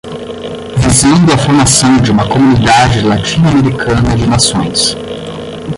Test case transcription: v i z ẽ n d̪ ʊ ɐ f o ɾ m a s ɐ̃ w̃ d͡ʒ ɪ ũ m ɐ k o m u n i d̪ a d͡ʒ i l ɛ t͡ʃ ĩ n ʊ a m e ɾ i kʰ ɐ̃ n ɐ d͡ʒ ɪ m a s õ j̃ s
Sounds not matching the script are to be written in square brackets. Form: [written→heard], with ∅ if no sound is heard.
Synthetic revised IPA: v i z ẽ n d̪ ʊ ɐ f o ɾ m a s ɐ̃ w̃ d͡ʒ ɪ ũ m ɐ k o m u n i d̪ a d͡ʒ [i→ɪ] l [ɛ→a] t͡ʃ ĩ n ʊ a m e ɾ i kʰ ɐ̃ n ɐ d͡ʒ ɪ [m→n] a s õ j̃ s